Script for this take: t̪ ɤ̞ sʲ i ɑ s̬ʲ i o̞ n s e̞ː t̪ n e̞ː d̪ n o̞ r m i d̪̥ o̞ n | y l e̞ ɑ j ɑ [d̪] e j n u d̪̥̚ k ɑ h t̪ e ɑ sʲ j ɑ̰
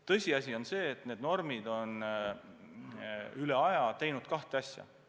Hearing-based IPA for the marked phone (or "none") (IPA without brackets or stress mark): t̪